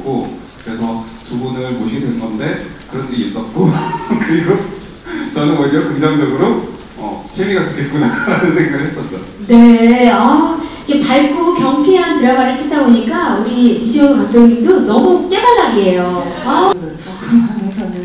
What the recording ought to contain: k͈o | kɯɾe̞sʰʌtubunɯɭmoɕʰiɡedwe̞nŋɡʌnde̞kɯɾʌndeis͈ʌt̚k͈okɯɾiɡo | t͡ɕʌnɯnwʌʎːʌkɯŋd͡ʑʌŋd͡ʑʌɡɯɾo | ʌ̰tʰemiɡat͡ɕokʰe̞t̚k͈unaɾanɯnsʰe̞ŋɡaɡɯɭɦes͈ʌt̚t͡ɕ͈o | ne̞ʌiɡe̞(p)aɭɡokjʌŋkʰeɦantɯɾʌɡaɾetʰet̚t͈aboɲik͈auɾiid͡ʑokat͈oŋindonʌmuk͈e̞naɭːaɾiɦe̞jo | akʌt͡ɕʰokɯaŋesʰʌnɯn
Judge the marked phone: correct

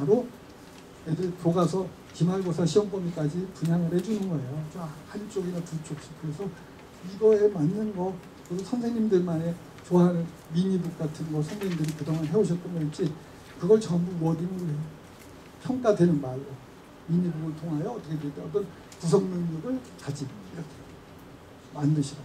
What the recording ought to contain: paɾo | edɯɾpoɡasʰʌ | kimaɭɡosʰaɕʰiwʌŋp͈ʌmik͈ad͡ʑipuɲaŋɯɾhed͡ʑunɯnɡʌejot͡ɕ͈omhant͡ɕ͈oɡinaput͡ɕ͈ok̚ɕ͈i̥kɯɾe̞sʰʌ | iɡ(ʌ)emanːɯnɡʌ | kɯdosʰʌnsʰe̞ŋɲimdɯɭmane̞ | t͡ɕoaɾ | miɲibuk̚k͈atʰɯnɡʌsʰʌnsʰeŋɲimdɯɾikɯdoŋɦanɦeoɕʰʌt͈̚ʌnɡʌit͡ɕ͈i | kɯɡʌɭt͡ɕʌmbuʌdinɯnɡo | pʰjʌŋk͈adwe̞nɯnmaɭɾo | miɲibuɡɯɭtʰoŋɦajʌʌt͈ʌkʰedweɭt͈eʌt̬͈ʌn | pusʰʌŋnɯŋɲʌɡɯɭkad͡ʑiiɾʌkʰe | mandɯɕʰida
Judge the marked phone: correct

